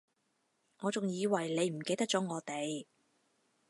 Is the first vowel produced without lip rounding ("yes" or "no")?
no